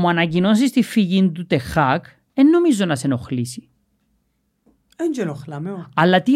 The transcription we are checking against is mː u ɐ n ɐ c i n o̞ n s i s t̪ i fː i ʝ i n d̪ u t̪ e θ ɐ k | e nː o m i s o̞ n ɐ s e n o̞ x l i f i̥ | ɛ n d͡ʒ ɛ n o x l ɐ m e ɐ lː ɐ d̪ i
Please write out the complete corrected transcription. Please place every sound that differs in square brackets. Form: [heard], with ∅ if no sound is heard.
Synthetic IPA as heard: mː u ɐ n ɐ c i n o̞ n s i s t̪ i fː i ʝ i n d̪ u t̪ e [x] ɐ k | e nː o m i [z] o̞ n ɐ s e n o̞ x l i [s] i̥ | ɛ n d͡ʒ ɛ n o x l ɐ m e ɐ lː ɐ [t̪] i